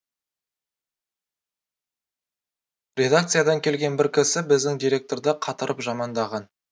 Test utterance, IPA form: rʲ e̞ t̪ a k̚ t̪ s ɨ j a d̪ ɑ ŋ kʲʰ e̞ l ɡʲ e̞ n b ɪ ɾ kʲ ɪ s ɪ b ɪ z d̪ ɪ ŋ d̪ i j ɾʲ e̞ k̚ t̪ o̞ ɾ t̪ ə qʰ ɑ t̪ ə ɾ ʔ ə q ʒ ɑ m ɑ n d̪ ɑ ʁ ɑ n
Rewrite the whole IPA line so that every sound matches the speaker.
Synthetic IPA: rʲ e̞ d̪ a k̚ t̪ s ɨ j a d̪ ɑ ŋ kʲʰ e̞ l ɡʲ e̞ n b ɪ ɾ kʲ ɪ s ɪ b ɪ z d̪ ɪ ŋ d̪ i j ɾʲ e̞ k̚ t̪ o̞ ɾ d̪ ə qʰ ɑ t̪ ə ɾ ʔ ə p ʒ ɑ m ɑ n d̪ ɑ ʁ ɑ n